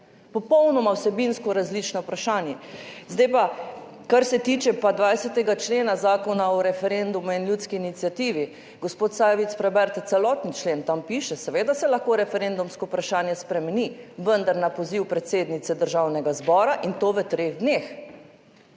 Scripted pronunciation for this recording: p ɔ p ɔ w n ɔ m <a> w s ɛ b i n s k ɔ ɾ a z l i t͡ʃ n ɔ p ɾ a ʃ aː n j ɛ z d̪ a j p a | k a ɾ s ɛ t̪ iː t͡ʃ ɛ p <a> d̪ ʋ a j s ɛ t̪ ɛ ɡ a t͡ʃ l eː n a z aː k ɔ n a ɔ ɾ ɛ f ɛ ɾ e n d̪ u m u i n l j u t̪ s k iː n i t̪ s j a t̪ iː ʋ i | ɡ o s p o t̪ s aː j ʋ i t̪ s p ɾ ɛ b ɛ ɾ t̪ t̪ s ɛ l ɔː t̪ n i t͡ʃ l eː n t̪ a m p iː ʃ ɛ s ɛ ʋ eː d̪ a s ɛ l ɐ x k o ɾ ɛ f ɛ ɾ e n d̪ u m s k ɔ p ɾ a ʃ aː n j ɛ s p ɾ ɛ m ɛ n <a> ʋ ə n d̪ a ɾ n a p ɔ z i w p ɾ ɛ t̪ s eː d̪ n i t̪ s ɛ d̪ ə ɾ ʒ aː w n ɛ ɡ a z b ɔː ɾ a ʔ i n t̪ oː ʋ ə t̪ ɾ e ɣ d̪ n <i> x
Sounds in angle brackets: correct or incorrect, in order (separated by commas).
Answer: correct, correct, incorrect, incorrect